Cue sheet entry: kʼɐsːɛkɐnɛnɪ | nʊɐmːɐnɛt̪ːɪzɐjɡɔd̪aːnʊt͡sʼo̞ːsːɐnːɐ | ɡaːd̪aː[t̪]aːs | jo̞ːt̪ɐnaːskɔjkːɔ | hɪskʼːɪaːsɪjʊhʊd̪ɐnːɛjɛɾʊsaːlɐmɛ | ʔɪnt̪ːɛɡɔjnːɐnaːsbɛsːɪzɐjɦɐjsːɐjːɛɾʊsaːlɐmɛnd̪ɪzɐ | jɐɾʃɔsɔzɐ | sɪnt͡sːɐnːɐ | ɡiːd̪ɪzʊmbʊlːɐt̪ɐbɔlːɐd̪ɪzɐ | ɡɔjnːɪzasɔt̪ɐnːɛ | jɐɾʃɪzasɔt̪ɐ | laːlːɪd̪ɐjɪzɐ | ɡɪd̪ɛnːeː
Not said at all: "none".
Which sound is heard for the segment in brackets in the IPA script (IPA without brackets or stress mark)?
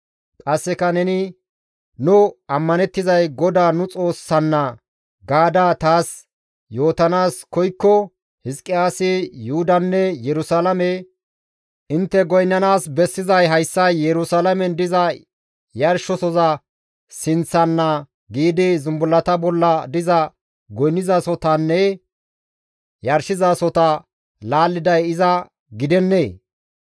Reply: t̪